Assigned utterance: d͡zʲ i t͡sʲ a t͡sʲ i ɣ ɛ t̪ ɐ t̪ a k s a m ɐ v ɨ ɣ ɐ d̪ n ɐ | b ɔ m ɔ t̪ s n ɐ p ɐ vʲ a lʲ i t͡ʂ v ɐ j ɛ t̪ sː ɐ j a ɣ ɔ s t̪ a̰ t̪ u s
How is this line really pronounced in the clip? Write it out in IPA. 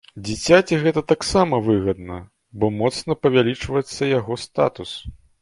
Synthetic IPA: d͡zʲ i t͡sʲ a t͡sʲ i ɣ ɛ t̪ ɐ t̪ a k s a m ɐ v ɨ ɣ ɐ d̪ n ɐ | b ɔ m ɔ t̪ s n ɐ p ɐ vʲ a lʲ i t͡ʂ v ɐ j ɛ t̪ sː ɐ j a ɣ ɔ s t̪ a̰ t̪ u s